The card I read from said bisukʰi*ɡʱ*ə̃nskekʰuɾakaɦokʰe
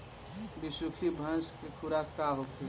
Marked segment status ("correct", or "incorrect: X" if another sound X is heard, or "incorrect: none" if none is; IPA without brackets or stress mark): incorrect: bʱ